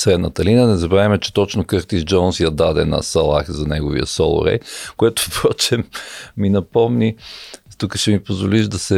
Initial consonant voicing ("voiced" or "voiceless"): voiceless